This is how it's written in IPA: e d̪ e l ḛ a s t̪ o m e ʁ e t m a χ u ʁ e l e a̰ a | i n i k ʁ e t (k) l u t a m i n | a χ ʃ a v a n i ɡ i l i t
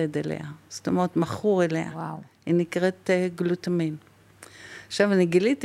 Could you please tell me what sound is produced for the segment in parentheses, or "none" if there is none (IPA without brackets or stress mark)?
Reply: ɡ